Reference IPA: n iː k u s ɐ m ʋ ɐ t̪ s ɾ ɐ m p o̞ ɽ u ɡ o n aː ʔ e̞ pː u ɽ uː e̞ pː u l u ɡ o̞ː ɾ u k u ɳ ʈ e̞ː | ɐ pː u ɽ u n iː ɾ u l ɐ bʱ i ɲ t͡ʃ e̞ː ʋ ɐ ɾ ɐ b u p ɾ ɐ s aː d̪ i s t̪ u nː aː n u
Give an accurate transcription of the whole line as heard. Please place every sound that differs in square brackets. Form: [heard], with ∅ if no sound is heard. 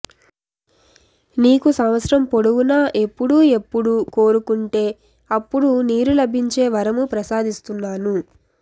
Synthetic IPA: n iː k u s ɐ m ʋ ɐ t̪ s ɾ ɐ m p o̞ ɽ u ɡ [u] n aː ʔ e̞ pː u ɽ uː e̞ pː u [ɽ] u [k] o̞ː ɾ u k u ɳ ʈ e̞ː | ɐ pː u ɽ u n iː ɾ u l ɐ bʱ i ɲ t͡ʃ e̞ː ʋ ɐ ɾ ɐ [m] u p ɾ ɐ s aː d̪ i s t̪ u nː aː n u